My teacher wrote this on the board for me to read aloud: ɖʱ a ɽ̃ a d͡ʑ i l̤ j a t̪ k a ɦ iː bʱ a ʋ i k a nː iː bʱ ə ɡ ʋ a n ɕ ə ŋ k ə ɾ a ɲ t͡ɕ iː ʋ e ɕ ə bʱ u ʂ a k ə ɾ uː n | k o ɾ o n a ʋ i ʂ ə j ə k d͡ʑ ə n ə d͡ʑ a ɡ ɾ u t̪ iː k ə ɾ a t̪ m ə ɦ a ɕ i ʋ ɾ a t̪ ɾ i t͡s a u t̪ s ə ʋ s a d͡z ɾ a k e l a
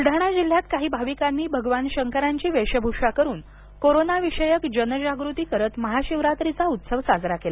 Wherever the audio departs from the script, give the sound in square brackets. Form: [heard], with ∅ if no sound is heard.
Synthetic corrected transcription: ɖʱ a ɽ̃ a d͡ʑ i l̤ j a t̪ k a ɦ iː bʱ a ʋ i k a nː iː bʱ ə ɡ ʋ a n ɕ ə ŋ k ə ɾ a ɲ t͡ɕ iː ʋ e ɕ ə bʱ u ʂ a k ə ɾ uː n | k o ɾ o n a ʋ i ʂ ə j ə k d͡ʑ ə n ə d͡ʑ a ɡ ɾ u t̪ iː k ə ɾ [ə] t̪ m ə ɦ a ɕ i ʋ ɾ a t̪ ɾ i t͡s a u t̪ s ə ʋ s a d͡z ɾ a k e l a